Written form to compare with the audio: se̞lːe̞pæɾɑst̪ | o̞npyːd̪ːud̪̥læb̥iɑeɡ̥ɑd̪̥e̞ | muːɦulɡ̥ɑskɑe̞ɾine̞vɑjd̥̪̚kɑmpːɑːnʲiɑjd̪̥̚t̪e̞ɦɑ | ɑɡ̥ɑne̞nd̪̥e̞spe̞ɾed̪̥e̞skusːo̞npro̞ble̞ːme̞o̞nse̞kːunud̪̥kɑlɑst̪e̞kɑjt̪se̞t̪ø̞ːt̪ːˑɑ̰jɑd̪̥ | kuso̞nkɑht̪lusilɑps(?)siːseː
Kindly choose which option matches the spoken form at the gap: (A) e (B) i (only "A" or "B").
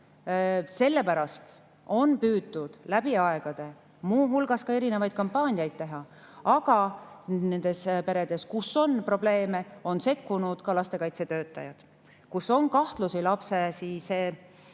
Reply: A